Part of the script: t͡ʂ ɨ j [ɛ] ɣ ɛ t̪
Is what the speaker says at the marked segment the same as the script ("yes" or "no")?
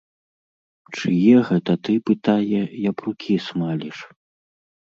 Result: yes